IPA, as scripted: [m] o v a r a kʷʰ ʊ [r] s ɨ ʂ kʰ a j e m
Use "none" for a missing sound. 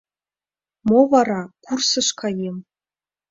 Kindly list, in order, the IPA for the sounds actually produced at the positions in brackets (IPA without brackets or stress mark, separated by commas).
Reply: m, r